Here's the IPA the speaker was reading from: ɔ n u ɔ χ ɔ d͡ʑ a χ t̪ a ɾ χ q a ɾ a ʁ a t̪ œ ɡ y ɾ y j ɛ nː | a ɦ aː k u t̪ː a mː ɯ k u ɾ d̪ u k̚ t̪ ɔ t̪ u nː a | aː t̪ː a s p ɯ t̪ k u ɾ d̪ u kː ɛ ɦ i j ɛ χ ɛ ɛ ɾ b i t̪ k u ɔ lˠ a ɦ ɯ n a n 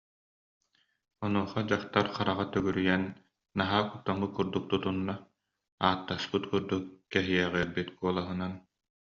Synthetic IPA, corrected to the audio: ɔ n u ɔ χ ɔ d͡ʑ a χ t̪ a ɾ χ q a ɾ a ʁ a t̪ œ ɡ y ɾ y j ɛ nː | a ɦ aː k u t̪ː a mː ɯ k u ɾ d̪ u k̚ t̪ u t̪ u nː a | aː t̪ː a s p ɯ t̪ k u ɾ d̪ u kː ɛ ɦ i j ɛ ʁ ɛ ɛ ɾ b i t̪ k u ɔ lˠ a ɦ ɯ n a n

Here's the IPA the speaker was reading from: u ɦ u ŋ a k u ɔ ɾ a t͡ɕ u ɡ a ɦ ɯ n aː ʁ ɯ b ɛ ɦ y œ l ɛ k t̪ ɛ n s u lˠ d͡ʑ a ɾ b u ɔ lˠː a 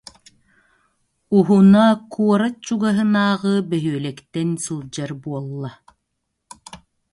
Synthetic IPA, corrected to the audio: u ɦ u n a k u ɔ ɾ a t͡ɕ u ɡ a ɦ ɯ n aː ʁ ɯ b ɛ ɦ y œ l ɛ k t̪ ɛ n s u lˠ d͡ʑ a ɾ b u ɔ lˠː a

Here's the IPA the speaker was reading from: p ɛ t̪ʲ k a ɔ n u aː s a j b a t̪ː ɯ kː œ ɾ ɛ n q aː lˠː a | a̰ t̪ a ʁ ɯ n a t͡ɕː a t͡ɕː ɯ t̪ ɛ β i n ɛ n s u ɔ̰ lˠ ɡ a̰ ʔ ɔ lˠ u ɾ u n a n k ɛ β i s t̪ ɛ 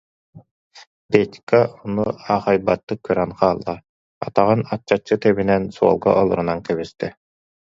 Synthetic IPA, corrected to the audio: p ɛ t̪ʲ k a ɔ n u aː χ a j b a t̪ː ɯ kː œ ɾ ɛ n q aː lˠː a | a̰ t̪ a ʁ ɯ n a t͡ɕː a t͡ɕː ɯ t̪ ɛ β i n ɛ n s u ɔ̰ lˠ ɡ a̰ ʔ ɔ lˠ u ɾ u n a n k ɛ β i s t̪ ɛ

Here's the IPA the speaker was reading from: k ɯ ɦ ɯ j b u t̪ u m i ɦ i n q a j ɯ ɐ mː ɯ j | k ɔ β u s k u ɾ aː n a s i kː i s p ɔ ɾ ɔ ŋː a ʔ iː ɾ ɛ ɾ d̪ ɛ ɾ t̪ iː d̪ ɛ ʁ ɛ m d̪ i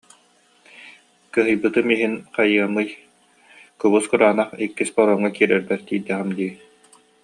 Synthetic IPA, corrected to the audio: k ɯ ɦ ɯ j b ɯ t̪ ɯ m i ɦ i n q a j ɯ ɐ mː ɯ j | k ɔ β u s k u ɾ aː n a χ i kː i s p ɔ ɾ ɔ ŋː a k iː ɾ ɛ ɾ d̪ ɛ ɾ t̪ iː d̪ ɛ ʁ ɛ m d̪ i

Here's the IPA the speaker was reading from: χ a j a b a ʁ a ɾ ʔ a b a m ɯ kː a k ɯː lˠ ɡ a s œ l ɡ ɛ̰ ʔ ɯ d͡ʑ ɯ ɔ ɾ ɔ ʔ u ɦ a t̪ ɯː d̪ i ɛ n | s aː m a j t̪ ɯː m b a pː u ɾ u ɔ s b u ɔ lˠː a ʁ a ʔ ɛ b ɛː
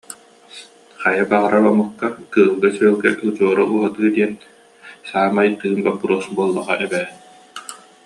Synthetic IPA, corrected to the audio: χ a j a b a ʁ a ɾ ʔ a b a m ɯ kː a k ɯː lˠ ɡ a s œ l ɡ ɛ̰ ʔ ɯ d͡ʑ u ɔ ɾ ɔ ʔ u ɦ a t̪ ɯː d̪ i ɛ n | s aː m a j t̪ ɯː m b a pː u ɾ u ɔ s b u ɔ lˠː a ʁ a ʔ ɛ b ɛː

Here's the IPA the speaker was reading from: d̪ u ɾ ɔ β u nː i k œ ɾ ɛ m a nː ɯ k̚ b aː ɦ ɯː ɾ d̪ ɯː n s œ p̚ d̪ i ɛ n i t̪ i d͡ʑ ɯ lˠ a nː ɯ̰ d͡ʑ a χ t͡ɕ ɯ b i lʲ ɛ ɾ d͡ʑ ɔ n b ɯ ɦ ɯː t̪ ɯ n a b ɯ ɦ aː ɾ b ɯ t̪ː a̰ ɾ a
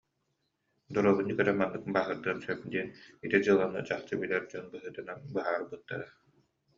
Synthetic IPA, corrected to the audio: d̪ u ɾ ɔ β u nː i k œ ɾ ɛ m a nː ɯ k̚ b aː ɦ ɯ ɾ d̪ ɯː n s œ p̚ d̪ i ɛ n i t̪ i d͡ʑ ɯ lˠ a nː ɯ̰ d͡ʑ a χ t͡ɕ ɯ b i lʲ ɛ ɾ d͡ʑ ɔ n b ɯ ɦ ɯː t̪ ɯ n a b ɯ ɦ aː ɾ b ɯ t̪ː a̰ ɾ a

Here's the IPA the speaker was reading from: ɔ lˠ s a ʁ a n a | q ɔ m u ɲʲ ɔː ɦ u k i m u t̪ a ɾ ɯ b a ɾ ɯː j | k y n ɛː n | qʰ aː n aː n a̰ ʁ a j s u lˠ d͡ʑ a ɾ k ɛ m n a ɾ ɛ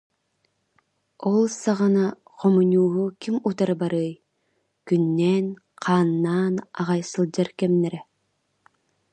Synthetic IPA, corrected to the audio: ɔ lˠ s a ʁ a n a | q ɔ m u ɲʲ uː ɦ u k i m u t̪ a ɾ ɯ b a ɾ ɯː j | k y nː ɛː n | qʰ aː nː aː n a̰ ʁ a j s ɯ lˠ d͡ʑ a ɾ k ɛ m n ɛ ɾ ɛ

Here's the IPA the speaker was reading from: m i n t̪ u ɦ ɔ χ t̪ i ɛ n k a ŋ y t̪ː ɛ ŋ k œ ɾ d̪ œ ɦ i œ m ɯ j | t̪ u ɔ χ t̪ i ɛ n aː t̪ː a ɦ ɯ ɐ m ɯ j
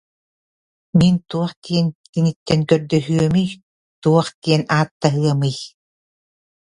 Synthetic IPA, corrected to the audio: m i n t̪ u ɔ χ t̪ i ɛ n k i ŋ i t̪ː ɛ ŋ k œ ɾ d̪ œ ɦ y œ m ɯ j | t̪ u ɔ χ t̪ i ɛ n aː t̪ː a ɦ ɯ ɐ m ɯ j

